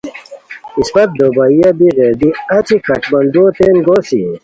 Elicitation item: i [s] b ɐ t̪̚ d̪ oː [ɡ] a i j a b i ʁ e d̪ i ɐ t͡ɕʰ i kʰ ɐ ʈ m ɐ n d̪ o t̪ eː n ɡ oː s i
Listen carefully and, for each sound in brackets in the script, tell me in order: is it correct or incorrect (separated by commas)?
correct, incorrect